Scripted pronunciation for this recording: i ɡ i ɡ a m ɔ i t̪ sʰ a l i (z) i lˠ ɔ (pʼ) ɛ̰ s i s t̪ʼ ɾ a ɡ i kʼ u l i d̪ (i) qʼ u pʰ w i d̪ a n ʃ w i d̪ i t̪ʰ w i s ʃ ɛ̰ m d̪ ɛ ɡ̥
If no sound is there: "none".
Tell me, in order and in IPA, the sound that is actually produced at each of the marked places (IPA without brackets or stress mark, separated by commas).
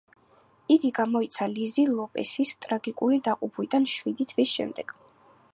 z, pʼ, a